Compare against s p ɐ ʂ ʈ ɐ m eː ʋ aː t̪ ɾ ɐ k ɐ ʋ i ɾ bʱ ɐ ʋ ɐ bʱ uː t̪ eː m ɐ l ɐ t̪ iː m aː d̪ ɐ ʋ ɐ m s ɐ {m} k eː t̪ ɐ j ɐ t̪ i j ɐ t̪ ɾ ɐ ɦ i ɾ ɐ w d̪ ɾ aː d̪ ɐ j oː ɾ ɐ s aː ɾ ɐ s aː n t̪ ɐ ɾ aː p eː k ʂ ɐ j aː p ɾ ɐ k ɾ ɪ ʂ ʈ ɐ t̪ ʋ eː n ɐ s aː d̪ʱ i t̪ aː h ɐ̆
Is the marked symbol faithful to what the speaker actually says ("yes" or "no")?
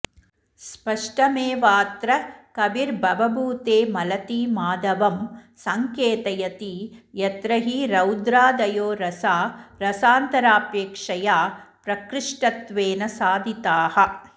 no